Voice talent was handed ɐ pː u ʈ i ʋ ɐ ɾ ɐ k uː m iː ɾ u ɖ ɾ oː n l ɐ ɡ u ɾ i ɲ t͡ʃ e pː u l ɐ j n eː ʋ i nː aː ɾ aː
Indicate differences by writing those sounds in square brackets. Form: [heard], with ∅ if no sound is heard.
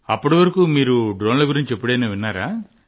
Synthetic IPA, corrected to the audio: ɐ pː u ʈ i ʋ ɐ ɾ ɐ k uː m iː ɾ u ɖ ɾ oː n l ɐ ɡ u ɾ i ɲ t͡ʃ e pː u [ɽ] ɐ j n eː ʋ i nː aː ɾ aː